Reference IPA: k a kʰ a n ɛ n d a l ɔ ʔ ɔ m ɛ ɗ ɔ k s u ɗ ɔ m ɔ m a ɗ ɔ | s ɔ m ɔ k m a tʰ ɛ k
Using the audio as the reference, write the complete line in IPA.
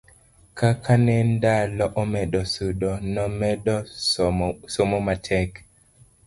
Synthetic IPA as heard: k a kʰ a n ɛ n d a l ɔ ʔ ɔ m ɛ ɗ ɔ s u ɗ ɔ n ɔ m ɛ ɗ ɔ | s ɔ m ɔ m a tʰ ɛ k